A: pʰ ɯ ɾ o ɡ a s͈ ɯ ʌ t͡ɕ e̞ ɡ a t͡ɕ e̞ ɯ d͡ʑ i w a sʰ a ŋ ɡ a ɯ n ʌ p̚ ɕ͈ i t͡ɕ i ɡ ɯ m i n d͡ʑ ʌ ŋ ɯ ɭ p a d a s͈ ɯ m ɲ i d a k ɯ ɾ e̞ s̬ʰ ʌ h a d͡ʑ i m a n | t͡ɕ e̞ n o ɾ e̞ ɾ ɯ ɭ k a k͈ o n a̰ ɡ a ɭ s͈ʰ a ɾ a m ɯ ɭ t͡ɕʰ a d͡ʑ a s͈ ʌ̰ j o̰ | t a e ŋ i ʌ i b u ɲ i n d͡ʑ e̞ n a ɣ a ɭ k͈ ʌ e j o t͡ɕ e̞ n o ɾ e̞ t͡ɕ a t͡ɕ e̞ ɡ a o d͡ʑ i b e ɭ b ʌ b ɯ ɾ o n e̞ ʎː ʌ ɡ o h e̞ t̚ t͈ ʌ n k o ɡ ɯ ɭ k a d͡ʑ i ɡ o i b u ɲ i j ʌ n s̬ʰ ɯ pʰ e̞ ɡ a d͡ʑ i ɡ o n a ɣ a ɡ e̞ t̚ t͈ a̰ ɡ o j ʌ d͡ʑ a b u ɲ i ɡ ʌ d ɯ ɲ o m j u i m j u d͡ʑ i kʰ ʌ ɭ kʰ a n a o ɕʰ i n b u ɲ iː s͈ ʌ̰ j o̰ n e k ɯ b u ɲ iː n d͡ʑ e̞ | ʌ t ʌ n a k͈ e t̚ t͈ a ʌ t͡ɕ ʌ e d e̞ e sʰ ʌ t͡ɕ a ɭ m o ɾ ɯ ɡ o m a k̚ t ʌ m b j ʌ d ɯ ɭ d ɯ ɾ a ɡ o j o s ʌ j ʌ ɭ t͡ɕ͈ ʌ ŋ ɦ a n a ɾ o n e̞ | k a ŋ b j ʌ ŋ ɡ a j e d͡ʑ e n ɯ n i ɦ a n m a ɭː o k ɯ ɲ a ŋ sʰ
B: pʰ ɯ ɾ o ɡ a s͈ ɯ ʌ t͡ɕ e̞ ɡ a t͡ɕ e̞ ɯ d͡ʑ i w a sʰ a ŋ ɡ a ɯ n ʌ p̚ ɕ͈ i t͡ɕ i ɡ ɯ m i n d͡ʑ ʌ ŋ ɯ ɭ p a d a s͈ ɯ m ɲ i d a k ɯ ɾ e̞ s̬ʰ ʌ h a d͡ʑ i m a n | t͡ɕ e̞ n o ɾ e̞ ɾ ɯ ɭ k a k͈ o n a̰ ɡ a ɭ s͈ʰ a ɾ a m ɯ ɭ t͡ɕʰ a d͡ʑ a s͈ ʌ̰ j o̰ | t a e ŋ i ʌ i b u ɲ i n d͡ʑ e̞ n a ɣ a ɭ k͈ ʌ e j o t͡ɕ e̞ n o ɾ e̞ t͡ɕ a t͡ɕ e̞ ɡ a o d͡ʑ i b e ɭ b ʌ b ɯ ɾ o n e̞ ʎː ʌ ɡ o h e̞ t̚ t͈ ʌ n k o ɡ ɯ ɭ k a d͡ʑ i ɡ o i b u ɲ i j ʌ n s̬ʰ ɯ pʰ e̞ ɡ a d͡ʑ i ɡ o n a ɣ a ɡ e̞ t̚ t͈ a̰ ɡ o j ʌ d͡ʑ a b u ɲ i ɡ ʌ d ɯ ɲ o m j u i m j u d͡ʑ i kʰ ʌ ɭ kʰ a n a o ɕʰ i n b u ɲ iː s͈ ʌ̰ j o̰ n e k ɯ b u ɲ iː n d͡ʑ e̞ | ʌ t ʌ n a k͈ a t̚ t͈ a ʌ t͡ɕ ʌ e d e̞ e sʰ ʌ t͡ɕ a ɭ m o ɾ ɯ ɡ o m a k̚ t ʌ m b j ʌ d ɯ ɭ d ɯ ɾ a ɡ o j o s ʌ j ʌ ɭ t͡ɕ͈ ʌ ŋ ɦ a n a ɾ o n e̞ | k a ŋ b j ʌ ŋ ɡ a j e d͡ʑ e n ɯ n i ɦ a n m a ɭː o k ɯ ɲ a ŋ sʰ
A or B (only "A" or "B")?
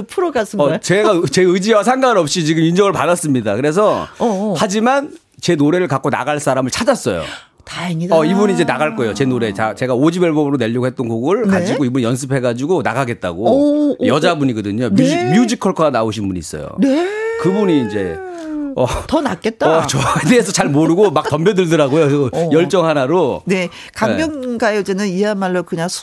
A